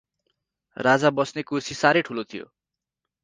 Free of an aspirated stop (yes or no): no